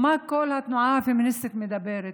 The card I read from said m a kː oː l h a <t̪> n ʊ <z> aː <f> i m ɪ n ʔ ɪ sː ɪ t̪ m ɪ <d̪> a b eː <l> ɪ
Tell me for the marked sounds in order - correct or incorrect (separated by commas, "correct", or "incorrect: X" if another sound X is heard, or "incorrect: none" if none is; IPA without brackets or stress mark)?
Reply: correct, incorrect: ʕ, correct, correct, incorrect: ɾ